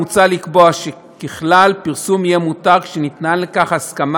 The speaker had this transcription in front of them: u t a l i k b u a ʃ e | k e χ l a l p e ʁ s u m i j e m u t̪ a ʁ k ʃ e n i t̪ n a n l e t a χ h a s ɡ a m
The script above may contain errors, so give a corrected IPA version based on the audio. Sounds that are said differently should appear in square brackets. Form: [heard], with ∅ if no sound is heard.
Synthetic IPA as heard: u [t͡s] a l i k b [o] a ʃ e | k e χ l a l p [i] ʁ s u m i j e m u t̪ a ʁ k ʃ e n i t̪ n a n l e [k] a χ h a s [k] a m